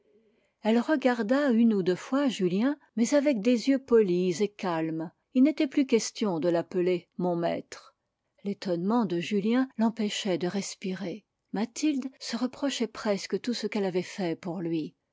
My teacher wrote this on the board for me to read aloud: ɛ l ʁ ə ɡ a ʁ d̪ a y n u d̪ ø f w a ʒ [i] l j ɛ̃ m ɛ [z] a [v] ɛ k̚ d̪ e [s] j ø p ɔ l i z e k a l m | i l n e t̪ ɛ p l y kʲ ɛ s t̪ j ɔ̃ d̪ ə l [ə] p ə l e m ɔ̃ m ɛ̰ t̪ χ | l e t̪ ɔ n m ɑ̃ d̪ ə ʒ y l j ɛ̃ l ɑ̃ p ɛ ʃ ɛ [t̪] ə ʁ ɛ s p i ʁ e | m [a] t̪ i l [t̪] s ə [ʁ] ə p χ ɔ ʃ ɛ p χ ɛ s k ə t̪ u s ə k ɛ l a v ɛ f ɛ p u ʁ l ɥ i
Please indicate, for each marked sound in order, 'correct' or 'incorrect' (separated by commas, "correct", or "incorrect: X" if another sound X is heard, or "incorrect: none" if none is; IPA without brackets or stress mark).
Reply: incorrect: y, correct, correct, incorrect: z, incorrect: a, incorrect: d̪, correct, incorrect: d̪, correct